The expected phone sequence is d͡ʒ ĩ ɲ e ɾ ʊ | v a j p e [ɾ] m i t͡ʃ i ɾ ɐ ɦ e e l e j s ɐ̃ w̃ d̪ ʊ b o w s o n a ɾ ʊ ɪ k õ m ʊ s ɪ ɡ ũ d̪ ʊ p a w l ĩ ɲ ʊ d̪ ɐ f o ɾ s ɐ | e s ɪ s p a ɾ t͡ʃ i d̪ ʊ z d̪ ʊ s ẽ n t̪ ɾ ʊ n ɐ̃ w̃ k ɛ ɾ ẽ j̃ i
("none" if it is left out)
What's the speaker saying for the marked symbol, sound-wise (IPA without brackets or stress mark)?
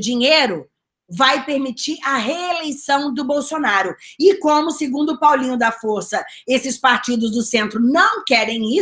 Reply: ɾ